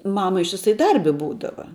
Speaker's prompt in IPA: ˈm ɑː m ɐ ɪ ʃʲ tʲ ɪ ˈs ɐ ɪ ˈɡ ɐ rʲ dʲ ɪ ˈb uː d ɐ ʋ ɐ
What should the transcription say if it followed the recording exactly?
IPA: ˈm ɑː m ɐ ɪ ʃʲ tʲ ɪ ˈs ɐ ɪ ˈd ɐ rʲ bʲ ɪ ˈb uː d ɐ ʋ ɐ